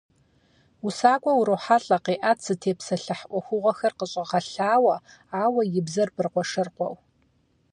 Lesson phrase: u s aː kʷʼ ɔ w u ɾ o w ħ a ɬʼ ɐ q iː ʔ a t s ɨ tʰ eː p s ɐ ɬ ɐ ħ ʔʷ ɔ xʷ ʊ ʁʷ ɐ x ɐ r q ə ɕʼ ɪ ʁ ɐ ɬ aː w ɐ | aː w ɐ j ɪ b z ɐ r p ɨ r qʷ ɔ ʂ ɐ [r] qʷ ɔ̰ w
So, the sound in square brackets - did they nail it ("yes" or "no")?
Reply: yes